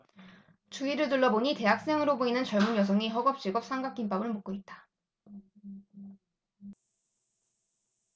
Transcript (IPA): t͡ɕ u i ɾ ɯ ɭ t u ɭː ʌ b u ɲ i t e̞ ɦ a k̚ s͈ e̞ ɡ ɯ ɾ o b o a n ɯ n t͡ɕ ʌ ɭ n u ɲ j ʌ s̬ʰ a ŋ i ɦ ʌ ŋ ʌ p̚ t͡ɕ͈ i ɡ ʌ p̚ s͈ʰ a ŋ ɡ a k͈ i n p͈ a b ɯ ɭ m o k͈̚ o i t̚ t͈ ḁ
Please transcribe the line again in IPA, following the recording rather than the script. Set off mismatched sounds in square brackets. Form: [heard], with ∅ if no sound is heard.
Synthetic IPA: t͡ɕ u i ɾ ɯ ɭ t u ɭː ʌ b [o] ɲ i t e̞ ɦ a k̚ s͈ e̞ [ŋ] ɯ ɾ o b o [i] n ɯ n t͡ɕ ʌ ɭ [m] u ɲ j ʌ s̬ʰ [ʌ] ŋ i ɦ ʌ [ɡ] ʌ p̚ t͡ɕ͈ i ɡ ʌ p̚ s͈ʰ a ŋ ɡ a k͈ i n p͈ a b ɯ ɭ m o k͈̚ o i t̚ t͈ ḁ

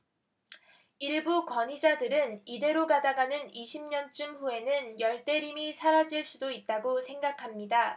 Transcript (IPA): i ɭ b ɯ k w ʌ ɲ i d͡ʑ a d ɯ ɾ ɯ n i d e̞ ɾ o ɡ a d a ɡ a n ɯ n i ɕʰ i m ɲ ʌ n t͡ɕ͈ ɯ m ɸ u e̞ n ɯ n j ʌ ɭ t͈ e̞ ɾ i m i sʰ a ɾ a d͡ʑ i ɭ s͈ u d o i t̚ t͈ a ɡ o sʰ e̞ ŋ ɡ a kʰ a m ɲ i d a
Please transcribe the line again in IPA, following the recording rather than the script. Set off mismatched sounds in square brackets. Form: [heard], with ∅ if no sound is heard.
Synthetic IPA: i ɭ b [u] k w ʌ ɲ i d͡ʑ a d ɯ ɾ ɯ n i d e̞ ɾ o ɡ a d a ɡ a n ɯ n i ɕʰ i m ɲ ʌ n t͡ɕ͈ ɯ m ɸ u e̞ n ɯ n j ʌ ɭ t͈ e̞ ɾ i m i sʰ a ɾ a d͡ʑ i ɭ s͈ u d o i t̚ t͈ a ɡ o sʰ e̞ ŋ ɡ a kʰ a m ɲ i d a

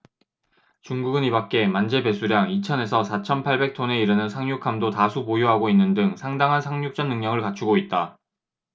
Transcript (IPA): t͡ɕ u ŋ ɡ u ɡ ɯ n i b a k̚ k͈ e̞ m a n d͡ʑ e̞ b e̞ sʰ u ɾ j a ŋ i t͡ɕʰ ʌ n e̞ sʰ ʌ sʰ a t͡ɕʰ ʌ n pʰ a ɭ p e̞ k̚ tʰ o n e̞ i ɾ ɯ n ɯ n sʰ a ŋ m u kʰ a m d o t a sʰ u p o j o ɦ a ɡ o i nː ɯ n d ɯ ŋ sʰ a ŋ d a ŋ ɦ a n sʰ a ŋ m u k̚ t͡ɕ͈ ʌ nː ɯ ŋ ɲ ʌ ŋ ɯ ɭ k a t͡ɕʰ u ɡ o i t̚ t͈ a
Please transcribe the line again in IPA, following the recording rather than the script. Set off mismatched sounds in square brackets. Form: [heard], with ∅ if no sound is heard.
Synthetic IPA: t͡ɕ u ŋ ɡ u ɡ ɯ n i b a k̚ k͈ e̞ m a n d͡ʑ e̞ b e̞ sʰ u ɾ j a ŋ i t͡ɕʰ ʌ n e̞ sʰ ʌ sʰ a t͡ɕʰ ʌ n pʰ a ɭ [b] e̞ k̚ tʰ o n e̞ i ɾ ɯ n ɯ n sʰ a ŋ [ɲ] u kʰ a m d o t a sʰ u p o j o ɦ a ɡ o i nː ɯ n d ɯ ŋ sʰ a ŋ d a ŋ ɦ a n sʰ a ŋ [ɲ] u k̚ t͡ɕ͈ ʌ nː ɯ ŋ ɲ ʌ ŋ ɯ ɭ k a t͡ɕʰ u ɡ o i t̚ t͈ a

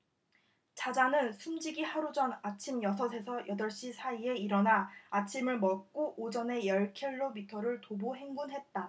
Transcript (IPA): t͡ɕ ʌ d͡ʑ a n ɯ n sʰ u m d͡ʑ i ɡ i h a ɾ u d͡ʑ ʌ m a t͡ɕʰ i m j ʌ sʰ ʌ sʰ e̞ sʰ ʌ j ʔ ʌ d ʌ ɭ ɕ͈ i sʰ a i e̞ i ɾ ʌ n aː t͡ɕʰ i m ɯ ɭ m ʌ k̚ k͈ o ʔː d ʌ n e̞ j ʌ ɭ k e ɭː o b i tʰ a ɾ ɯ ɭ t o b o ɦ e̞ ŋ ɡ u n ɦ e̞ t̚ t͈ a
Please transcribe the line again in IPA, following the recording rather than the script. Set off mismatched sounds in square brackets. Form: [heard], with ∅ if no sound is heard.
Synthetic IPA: t͡ɕ [a] d͡ʑ a n ɯ n sʰ u m d͡ʑ i ɡ i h a ɾ u d͡ʑ ʌ [n] a t͡ɕʰ i m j ʌ sʰ ʌ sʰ e̞ sʰ ʌ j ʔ ʌ d ʌ ɭ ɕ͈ i sʰ a i e̞ i ɾ ʌ n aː t͡ɕʰ i m ɯ ɭ m ʌ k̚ k͈ o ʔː [d͡ʑ] ʌ n e̞ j ʌ ɭ [kʰ] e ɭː o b i tʰ [ʌ] ɾ ɯ ɭ t o b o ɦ e̞ ŋ ɡ u n ɦ e̞ t̚ t͈ a

